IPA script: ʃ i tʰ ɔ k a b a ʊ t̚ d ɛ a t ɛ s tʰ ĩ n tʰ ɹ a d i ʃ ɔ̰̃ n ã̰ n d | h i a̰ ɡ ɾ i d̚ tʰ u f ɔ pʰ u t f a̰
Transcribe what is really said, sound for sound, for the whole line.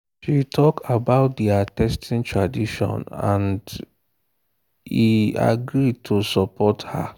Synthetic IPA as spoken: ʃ i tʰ ɔ k a b a ʊ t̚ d i a t ɛ s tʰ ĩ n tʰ ɹ a d i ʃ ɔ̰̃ n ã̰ n d | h i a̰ ɡ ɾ i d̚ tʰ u s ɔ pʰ ɔ t h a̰

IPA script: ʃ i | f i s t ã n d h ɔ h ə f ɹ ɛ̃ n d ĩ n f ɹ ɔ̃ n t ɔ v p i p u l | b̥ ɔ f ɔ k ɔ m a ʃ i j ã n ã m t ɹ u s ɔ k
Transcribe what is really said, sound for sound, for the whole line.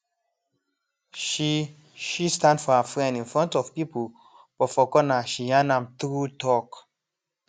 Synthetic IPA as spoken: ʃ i | ʃ i s t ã n d f ɔ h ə f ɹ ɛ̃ n d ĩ n f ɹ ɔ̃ n t ɔ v p i p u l | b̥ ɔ f ɔ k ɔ n a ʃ i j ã n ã m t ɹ u t ɔ k

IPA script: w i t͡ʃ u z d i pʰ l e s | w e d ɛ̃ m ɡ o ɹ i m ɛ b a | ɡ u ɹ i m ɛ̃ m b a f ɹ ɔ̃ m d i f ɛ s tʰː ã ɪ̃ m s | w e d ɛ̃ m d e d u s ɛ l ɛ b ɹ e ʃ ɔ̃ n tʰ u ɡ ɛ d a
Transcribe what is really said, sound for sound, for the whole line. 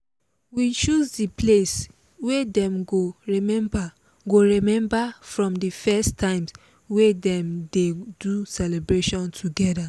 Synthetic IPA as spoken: w i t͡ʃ u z d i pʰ l e s | w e d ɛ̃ m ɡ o ɹ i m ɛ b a | ɡ o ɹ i m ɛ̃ m b a f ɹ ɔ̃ m d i f ɛ s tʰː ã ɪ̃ m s | w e d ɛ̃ m d e d u s ɛ l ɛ b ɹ e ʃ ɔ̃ n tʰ u ɡ ɛ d a

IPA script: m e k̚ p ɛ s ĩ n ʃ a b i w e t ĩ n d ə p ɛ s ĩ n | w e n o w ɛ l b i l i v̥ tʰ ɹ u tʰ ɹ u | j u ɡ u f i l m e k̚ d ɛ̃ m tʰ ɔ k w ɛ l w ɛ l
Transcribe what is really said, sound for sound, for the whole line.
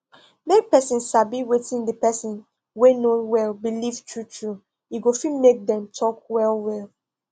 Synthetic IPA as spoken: m e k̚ p ɛ s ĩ n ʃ a b i w e t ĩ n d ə p ɛ s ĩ n | w e n o w ɛ l b i l i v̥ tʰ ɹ u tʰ ɹ u | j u ɡ o f i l m e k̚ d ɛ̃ m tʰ ɔ k w ɛ l w ɛ l

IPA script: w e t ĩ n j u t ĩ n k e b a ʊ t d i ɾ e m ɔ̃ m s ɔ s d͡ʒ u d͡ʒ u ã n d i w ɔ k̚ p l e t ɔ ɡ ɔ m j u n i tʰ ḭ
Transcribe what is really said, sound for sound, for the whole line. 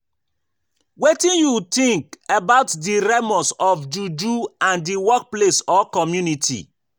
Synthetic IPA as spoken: w e t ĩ n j u t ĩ ŋ k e b a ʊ t d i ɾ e m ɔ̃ s ɔ f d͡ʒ u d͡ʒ u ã n d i w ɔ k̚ p l e s ɔ k ɔ m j u n i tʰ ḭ

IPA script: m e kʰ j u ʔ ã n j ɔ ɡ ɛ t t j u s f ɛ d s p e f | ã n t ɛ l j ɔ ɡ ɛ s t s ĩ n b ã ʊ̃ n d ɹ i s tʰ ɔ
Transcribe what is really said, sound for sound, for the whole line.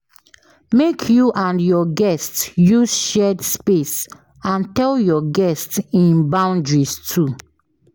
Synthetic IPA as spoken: m e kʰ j u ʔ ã n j ɔ ɡ ɛ s t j u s ʃ ɛ d s p e s | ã n t ɛ l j ɔ ɡ ɛ s t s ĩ n b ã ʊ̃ n d ɹ i s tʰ u

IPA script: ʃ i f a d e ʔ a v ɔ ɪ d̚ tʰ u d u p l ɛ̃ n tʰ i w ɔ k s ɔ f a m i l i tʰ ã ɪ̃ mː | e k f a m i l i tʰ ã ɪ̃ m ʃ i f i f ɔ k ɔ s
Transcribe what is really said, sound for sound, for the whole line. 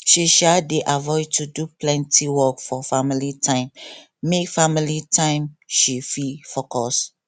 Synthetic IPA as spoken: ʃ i ʃ a d e ʔ a v ɔ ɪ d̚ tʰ u d u p l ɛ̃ n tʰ i w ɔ k f ɔ f a m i l i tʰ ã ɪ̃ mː | e k f a m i l i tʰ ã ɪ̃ m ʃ i f i f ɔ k ɔ s

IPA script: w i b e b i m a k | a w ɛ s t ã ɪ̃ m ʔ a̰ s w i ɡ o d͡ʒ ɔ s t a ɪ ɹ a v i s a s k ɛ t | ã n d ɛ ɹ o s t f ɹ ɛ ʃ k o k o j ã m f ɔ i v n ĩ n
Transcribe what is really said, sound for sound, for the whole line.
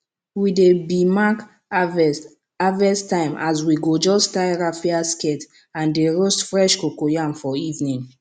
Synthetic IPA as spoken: w i d e b i m a k | a v ɛ s t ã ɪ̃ m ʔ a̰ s w i ɡ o d͡ʒ ɔ s t a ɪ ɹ a f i a s k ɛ t | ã n d e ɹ o s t f ɹ ɛ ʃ k o k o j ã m f ɔ i v n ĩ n

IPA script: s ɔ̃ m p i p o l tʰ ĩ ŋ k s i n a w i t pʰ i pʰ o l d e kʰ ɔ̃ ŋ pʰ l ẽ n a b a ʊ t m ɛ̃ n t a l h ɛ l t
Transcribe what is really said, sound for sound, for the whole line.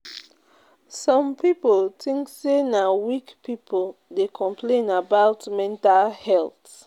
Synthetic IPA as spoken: s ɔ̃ m p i p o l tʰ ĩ ŋ k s e n a w i k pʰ i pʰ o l d e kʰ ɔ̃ m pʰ l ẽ n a b a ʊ t m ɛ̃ n t a l h ɛ l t

